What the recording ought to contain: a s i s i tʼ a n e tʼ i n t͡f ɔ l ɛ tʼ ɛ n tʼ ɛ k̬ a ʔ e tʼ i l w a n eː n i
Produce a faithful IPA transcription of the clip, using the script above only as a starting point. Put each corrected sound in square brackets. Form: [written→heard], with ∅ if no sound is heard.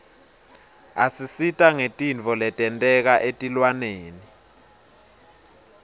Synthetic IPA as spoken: a s i s i tʼ a [n→ŋ] e tʼ i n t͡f ɔ l ɛ tʼ ɛ n tʼ ɛ k̬ a ʔ e tʼ i l w a n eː n i